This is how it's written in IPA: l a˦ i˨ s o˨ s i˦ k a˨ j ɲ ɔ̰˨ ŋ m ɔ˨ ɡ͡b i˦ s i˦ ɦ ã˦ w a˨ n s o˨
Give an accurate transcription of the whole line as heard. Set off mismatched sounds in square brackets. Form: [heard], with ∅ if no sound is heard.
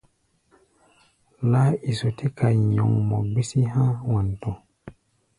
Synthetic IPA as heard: l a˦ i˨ s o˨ [t] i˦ k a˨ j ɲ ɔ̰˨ ŋ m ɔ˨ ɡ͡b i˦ s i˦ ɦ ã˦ w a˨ n [t] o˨